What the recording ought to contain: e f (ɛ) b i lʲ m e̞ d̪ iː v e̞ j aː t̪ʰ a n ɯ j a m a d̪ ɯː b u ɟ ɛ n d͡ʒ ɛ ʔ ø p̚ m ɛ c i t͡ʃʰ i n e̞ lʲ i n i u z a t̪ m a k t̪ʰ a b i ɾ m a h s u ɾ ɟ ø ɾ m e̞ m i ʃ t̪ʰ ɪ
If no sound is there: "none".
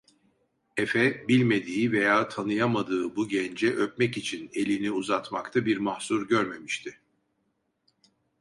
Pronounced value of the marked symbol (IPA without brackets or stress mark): ɛ